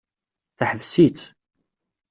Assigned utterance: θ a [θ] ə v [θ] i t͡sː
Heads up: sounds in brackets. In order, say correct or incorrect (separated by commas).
incorrect, incorrect